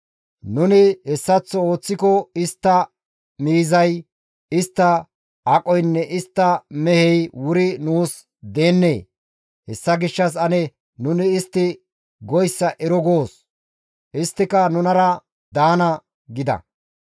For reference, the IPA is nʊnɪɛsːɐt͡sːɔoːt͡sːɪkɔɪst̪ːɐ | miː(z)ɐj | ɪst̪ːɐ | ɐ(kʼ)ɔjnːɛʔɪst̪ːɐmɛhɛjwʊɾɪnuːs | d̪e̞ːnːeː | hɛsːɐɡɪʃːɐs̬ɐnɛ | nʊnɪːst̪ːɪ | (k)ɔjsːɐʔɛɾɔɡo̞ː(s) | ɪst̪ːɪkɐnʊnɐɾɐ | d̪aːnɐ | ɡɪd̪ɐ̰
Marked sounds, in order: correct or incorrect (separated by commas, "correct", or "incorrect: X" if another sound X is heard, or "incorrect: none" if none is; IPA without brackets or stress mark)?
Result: correct, correct, incorrect: ɡ, correct